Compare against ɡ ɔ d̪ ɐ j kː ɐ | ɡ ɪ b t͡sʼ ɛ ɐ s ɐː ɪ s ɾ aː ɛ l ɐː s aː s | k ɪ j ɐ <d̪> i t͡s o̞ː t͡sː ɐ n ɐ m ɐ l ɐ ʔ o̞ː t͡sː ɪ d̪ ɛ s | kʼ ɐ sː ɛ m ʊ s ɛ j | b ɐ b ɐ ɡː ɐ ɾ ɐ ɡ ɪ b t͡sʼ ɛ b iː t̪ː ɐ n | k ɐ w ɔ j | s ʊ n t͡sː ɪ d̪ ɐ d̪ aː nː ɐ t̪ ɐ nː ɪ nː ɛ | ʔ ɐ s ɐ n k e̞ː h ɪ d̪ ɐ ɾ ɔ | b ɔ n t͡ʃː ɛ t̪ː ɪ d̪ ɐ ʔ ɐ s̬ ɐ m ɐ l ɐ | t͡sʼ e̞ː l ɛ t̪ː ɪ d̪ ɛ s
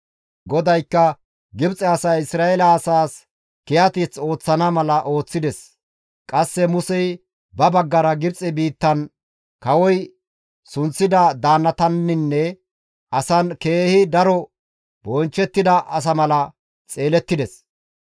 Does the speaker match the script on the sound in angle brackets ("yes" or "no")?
no